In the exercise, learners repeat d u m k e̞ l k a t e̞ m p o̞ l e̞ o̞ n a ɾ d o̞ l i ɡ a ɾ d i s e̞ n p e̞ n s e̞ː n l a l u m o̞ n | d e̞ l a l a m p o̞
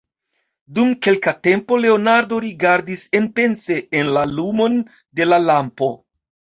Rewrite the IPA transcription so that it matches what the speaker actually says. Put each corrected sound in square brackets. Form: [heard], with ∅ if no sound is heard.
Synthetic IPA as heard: d u m k e̞ l k a t e̞ m p o̞ l e̞ o̞ n a ɾ d o̞ [ɾ] i ɡ a ɾ d i s e̞ n p e̞ n s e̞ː n l a l u m o̞ n | d e̞ l a l a m p o̞